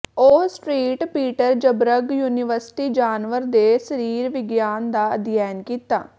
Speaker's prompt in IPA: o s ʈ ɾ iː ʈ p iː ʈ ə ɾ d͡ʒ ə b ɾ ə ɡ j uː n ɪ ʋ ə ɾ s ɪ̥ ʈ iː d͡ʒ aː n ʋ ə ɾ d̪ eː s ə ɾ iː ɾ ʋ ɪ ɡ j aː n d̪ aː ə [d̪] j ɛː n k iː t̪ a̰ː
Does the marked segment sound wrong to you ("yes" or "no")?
no